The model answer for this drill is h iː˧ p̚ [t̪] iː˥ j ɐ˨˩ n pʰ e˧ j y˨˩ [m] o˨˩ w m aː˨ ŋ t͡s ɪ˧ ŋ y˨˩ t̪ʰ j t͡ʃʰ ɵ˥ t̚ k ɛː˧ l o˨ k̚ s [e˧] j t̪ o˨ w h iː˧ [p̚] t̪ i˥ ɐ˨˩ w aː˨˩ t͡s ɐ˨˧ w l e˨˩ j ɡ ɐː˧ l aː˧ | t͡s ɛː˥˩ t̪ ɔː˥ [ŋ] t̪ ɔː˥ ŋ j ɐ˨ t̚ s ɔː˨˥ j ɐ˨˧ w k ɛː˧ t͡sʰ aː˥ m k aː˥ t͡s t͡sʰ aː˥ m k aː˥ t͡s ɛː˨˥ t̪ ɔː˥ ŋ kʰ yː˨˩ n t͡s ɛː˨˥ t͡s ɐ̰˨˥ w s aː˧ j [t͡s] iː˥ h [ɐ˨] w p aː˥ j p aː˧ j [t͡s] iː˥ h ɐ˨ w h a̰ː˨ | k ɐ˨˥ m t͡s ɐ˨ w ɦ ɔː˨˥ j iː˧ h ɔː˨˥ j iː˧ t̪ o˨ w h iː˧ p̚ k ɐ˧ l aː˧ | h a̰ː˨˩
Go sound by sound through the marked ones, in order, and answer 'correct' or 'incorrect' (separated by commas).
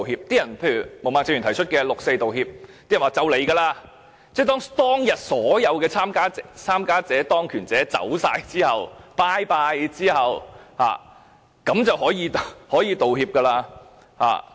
correct, correct, correct, correct, correct, correct, correct, correct